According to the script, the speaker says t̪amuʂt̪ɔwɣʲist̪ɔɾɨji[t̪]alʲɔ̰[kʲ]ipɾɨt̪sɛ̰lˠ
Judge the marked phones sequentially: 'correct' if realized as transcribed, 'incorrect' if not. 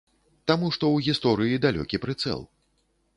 incorrect: d̪, correct

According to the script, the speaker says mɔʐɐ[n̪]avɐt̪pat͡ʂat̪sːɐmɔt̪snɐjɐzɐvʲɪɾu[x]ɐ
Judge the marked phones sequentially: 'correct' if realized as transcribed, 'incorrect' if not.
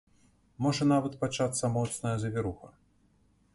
correct, correct

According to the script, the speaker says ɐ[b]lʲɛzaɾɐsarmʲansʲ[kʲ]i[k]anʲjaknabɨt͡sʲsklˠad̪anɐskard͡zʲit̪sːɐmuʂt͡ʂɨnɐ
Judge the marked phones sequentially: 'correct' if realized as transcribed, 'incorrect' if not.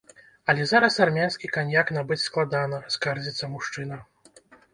incorrect: none, correct, correct

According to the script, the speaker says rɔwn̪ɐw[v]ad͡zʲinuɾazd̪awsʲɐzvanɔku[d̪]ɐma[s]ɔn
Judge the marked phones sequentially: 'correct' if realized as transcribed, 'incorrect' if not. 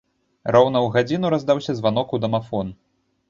incorrect: ɣ, correct, incorrect: f

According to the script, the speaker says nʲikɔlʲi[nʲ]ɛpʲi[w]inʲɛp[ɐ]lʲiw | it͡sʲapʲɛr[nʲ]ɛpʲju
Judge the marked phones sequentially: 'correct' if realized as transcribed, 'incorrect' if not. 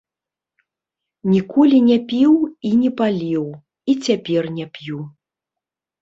correct, correct, incorrect: a, correct

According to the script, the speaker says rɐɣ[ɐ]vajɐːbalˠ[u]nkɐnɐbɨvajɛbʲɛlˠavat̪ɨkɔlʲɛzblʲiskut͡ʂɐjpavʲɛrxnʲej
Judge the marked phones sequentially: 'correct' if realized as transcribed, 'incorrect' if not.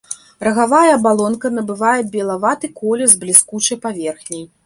incorrect: a, incorrect: ɔ

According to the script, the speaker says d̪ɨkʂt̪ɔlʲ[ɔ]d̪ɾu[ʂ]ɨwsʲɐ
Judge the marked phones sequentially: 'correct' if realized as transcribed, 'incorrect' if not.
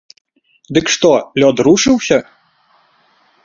correct, correct

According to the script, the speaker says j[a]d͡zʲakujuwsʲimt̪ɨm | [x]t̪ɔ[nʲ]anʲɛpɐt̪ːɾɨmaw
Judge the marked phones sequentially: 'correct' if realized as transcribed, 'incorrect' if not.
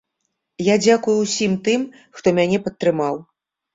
correct, correct, incorrect: mʲ

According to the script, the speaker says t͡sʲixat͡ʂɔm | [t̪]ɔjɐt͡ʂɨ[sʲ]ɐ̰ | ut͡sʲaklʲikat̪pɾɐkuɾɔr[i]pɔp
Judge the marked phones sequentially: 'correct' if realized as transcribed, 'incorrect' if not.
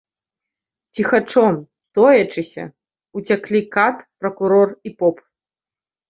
correct, correct, correct

